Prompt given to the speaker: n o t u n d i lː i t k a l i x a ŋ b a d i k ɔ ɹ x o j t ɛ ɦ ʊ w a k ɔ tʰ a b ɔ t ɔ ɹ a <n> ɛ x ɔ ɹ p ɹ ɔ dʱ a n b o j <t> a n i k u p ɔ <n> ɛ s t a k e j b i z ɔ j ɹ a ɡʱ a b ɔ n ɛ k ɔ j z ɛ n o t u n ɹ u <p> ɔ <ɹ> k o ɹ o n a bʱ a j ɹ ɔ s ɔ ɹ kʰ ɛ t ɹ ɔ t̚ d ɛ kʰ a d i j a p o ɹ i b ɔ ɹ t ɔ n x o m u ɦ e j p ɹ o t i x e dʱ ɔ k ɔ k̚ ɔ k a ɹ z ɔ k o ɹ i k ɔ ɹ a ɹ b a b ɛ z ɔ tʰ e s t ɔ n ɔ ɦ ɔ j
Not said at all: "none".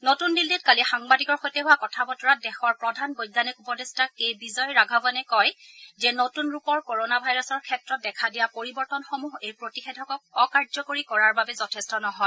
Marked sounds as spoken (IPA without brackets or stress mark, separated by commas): d, d, d, p, ɹ